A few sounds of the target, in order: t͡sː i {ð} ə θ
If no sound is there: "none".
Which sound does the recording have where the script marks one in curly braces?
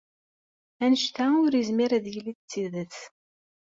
ð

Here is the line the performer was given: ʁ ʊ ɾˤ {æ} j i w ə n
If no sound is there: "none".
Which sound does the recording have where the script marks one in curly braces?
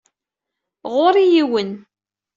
i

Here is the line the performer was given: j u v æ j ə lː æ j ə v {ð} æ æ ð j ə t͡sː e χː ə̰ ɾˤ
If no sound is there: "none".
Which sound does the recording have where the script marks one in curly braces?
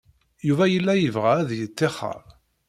ʁ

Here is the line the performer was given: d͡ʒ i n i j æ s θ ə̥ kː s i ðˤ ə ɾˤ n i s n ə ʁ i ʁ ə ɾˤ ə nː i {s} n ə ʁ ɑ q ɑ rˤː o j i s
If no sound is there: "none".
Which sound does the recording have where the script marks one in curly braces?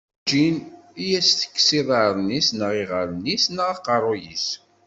s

